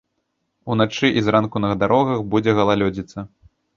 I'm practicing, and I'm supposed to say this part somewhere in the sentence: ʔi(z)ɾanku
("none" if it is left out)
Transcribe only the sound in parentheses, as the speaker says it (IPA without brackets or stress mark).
z